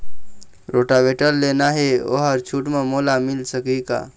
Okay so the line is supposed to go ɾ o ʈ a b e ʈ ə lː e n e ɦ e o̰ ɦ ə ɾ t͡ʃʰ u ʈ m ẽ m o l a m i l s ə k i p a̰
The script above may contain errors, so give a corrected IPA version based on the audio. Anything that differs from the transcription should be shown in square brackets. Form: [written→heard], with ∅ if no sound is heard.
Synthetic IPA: ɾ o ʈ a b e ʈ ə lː e n [e→a] ɦ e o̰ ɦ ə ɾ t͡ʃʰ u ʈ m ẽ m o l a m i l s ə k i [p→k] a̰